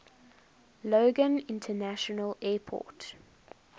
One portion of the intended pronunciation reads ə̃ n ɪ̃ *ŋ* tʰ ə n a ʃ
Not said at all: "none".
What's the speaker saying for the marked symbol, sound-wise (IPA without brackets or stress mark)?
n